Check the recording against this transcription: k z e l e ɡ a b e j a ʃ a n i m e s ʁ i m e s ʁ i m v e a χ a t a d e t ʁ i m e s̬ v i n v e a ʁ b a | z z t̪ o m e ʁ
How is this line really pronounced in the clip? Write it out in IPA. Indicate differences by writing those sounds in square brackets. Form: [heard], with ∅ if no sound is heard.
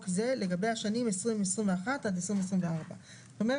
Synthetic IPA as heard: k z e l e ɡ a b e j a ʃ a n i m e s ʁ i m e s ʁ i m v e a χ a t a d e [s] ʁ i m e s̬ [ʁ] i [m] v e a ʁ b a | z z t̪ o m e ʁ